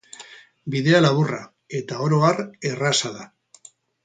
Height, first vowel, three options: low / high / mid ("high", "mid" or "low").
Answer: high